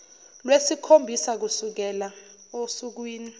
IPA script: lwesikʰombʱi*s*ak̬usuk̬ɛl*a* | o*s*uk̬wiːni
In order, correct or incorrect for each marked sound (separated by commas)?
correct, correct, correct